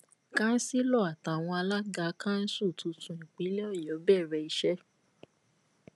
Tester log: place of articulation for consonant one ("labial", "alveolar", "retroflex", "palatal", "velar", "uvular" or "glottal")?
velar